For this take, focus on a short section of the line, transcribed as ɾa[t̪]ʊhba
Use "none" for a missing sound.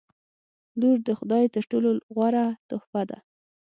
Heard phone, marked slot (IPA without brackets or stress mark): t̪